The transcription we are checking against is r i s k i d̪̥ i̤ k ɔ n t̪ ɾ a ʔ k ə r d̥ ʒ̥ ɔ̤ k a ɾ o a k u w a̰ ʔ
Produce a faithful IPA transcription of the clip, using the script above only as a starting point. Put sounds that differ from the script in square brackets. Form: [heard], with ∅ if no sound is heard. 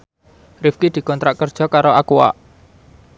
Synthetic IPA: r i [f] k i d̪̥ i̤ k ɔ n t̪ ɾ a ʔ k ə r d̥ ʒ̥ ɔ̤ k a ɾ o a k u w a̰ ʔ